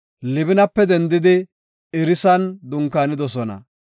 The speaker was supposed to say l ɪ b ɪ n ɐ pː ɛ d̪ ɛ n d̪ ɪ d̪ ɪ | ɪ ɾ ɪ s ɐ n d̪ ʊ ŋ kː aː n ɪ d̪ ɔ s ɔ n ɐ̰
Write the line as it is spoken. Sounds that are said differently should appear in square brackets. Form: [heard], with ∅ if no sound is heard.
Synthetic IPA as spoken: l ɪ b ɪ n ɐ pː ɛ d̪ ɛ n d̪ ɪ d̪ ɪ | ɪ ɾ ɪ s ɐ n d̪ ʊ ŋ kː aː n ɪ d̪ ɔ s ɔ n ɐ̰